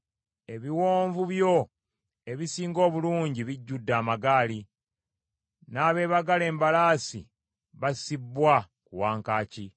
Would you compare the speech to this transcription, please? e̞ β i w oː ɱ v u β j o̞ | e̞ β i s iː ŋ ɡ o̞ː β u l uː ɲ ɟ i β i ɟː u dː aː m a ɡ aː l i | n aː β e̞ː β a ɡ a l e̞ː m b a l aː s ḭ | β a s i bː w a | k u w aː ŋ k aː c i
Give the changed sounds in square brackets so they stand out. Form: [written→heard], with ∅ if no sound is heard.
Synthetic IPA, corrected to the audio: e̞ β i w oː ɱ v u β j o̞ | e̞ β i s iː ŋ ɡ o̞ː β u l uː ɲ ɟ i β i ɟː u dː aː m a ɡ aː l i | n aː β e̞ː β a ɡ a l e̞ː m b a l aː s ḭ | β a s i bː w a | k u w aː ŋ k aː c i

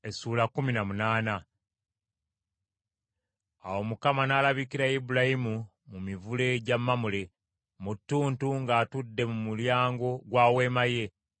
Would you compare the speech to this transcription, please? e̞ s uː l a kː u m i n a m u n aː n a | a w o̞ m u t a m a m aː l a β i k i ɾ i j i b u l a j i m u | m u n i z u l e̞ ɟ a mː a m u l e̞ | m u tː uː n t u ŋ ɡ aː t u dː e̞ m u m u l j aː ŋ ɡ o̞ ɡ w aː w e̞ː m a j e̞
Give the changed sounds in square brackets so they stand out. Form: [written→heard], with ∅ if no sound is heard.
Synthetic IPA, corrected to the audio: e̞ s uː l a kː u m i n a m u n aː n a | a w o̞ m u [t→k] a m a [m→n] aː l a β i k i ɾ [i→a] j i b u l a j i m u | m u [n→m] i [z→v] u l e̞ ɟ a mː a m u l e̞ | m u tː uː n t u ŋ ɡ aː t u dː e̞ m u m u l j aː ŋ ɡ o̞ ɡ w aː w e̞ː m a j e̞

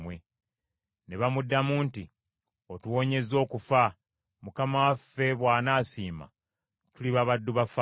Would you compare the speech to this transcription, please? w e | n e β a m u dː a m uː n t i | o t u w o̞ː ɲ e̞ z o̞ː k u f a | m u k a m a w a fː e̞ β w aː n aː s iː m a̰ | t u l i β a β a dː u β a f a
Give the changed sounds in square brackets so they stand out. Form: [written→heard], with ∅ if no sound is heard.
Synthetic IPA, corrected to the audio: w e | n e β a m u dː a m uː n t i | o t u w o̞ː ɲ e̞ z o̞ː k u f a | m u k a m a w a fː e̞ β w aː n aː s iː m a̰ | t u l i β a β a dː u β a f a

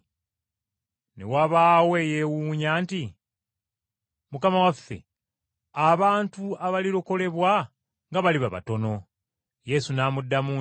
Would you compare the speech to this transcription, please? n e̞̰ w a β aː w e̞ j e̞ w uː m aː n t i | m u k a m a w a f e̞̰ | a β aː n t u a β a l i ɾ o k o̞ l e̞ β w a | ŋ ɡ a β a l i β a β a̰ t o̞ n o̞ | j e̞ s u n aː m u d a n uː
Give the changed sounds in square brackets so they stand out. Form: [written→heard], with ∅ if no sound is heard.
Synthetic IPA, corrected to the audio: n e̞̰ w a β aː w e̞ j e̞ w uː [m→ɲ] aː n t i | m u k a m a w a f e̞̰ | a β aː n t u a β a l i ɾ o k o̞ l e̞ β w a | ŋ ɡ a β a l i β a β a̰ t o̞ n o̞ | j e̞ s u n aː m u [d→dː] a [n→m] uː

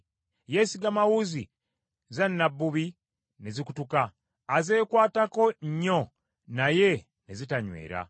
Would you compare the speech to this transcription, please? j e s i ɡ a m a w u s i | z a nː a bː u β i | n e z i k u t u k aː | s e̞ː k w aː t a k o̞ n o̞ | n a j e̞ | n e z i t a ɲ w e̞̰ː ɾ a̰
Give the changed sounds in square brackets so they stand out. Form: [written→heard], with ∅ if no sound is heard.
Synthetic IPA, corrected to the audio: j e s i ɡ a m a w u [s→z] i | z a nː a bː u β i | n e z i k u t u k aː | [s→z] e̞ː k w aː t a k o̞ [n→ɲ] o̞ | n a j e̞ | n e z i t a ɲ w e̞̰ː ɾ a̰

